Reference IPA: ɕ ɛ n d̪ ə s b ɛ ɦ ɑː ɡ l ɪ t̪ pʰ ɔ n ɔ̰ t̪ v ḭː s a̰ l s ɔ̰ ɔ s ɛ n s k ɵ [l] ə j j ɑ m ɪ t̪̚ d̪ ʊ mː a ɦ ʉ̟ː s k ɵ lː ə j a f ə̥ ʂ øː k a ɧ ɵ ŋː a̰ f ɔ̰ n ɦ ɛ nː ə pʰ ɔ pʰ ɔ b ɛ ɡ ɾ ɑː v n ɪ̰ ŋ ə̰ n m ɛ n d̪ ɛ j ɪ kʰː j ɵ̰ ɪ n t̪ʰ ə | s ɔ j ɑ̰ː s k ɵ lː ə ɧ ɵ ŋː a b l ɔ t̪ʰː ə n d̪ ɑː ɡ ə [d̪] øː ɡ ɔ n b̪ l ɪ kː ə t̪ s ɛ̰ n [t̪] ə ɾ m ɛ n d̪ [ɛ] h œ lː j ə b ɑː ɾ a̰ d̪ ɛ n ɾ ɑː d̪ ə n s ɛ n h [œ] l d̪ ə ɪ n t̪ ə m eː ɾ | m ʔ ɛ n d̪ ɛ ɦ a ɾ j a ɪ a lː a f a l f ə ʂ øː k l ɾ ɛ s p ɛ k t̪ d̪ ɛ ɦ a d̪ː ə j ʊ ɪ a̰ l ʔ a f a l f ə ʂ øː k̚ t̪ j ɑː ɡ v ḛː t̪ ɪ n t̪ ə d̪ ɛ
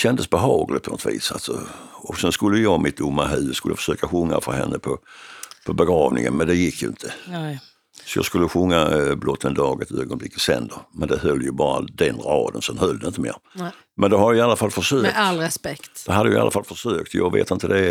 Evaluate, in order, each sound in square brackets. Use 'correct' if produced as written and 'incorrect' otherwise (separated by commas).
incorrect, incorrect, incorrect, correct, correct